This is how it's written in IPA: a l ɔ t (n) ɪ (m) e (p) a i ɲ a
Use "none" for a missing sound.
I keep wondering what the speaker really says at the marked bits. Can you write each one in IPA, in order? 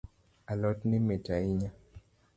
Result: n, m, t

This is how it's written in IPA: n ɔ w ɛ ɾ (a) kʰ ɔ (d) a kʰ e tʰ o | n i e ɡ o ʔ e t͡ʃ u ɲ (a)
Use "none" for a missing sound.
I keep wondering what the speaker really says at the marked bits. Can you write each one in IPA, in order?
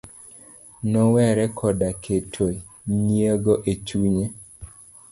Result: ɛ, d, e

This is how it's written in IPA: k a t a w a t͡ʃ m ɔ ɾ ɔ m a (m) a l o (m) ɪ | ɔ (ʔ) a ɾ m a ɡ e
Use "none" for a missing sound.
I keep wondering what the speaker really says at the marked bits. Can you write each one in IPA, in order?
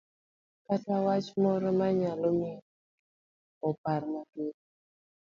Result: ɲ, m, p

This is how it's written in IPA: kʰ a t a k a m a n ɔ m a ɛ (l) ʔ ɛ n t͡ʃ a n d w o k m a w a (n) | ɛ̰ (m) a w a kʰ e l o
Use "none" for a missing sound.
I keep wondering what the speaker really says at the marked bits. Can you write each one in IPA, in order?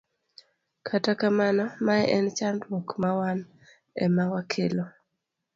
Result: none, n, m

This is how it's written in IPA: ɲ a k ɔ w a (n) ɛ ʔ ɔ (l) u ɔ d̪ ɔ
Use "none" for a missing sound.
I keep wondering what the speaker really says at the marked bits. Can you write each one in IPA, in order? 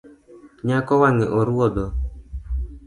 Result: ŋ, ɾ

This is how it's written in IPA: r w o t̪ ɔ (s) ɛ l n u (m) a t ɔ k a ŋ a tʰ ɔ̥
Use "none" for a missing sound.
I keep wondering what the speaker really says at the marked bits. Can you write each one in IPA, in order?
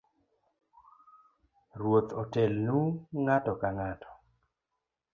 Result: t, ŋ

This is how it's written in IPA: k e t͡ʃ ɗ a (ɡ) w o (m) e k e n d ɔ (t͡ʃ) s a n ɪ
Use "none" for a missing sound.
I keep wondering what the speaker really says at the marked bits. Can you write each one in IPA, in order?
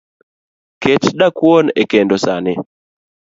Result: k, n, none

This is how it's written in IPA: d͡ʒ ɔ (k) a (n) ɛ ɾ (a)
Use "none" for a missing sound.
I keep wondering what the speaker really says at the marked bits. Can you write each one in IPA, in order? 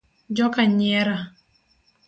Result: k, ɲ, a

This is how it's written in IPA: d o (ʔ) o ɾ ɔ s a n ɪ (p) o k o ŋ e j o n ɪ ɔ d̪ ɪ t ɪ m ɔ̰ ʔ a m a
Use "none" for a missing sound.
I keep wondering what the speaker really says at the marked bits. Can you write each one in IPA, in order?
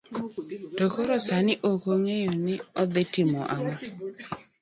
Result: k, ʔ

